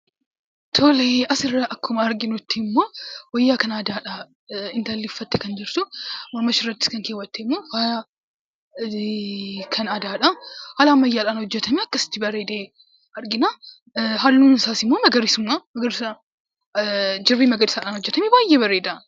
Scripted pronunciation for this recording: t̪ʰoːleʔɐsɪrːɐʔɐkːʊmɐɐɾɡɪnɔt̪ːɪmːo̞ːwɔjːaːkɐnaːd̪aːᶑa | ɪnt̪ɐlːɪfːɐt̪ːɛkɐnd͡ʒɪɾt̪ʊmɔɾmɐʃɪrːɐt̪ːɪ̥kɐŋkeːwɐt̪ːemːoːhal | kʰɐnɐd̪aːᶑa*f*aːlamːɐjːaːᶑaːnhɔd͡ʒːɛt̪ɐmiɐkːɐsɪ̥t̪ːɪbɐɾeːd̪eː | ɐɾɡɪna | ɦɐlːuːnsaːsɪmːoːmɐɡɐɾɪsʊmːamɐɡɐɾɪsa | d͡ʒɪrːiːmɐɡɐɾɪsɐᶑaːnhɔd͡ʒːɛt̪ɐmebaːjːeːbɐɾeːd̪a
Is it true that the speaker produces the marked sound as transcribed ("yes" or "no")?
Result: no